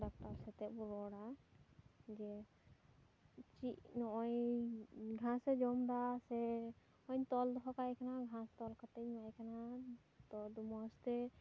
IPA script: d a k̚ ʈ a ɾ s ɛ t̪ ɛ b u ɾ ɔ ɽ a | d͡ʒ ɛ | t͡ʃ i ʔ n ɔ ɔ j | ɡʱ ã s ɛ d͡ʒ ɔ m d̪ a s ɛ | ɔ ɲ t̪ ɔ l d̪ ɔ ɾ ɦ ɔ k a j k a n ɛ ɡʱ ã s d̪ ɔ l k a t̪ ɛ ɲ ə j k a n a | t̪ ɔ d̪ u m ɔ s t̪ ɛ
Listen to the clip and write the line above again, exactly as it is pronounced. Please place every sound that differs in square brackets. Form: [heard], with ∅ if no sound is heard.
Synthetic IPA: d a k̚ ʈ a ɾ s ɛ t̪ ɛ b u ɾ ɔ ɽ a | d͡ʒ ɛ | t͡ʃ i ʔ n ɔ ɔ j | ɡʱ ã s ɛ d͡ʒ ɔ m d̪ a s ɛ | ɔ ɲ t̪ ɔ l d̪ ɔ [∅] ɦ ɔ k a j k a n [a] ɡʱ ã s [t̪] ɔ l k a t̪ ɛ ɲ [a] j k a n a | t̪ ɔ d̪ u m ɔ s t̪ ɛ